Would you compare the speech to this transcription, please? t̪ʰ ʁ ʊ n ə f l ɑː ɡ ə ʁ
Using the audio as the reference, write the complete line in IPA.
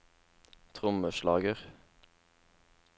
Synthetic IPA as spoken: t̪ʰ ʁ ʊ m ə ʃ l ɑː ɡ ə ʁ